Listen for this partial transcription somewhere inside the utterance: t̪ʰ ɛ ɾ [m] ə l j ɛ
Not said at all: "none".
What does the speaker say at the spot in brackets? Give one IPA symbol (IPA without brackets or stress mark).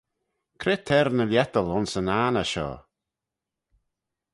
n